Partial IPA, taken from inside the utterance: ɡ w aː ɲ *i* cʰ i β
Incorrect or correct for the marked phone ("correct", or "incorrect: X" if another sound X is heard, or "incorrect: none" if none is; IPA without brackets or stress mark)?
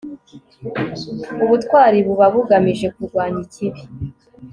correct